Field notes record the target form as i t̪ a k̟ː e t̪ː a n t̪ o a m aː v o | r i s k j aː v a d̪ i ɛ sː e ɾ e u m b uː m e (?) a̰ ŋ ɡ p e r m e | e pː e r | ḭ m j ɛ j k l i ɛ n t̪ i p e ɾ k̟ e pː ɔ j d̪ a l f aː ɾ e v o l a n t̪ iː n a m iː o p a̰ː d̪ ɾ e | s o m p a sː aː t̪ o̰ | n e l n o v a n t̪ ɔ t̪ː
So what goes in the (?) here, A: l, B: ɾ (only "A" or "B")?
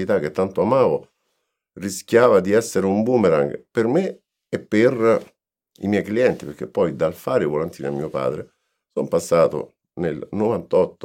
B